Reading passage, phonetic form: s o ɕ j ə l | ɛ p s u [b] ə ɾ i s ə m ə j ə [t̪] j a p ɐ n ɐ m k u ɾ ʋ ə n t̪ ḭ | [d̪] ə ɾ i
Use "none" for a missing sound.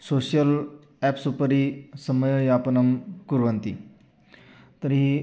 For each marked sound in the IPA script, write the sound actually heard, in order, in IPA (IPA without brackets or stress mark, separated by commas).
p, none, t̪